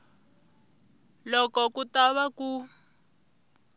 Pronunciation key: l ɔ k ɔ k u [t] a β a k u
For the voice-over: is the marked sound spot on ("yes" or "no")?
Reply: yes